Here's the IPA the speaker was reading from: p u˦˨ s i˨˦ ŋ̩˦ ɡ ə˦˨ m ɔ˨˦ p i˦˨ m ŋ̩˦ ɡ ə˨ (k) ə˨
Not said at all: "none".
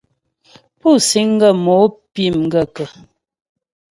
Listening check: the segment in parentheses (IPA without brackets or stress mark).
k